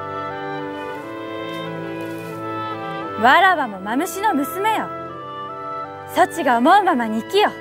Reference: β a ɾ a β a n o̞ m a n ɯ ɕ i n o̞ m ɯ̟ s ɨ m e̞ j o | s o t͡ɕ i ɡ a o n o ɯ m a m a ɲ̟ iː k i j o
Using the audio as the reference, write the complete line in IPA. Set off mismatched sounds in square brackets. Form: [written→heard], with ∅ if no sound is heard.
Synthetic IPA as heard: β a ɾ a β a [n→m] o̞ m a [n→m] ɯ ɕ i n o̞ m ɯ̟ s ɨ m e̞ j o | s o t͡ɕ i ɡ a o [n→m] o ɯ m a m a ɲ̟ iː k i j o